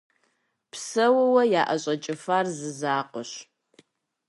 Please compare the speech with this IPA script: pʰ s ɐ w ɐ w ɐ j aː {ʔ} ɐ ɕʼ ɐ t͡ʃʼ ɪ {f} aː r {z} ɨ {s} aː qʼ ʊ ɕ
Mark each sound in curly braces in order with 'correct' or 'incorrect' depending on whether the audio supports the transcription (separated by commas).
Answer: correct, correct, correct, incorrect